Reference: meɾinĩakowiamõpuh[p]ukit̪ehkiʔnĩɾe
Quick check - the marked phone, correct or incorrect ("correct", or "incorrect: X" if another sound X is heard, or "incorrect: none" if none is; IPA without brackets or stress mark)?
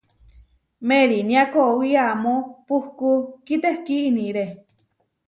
incorrect: k